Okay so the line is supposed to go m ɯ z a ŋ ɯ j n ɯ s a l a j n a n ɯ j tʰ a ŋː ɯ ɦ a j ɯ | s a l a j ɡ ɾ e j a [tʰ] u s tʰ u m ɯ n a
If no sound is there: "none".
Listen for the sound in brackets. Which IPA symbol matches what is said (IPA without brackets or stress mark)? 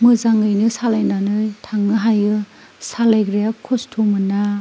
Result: kʰ